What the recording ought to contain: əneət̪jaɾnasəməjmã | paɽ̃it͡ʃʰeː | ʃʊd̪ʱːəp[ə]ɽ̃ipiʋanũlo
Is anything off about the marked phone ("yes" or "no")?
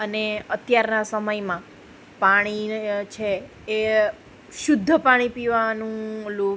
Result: yes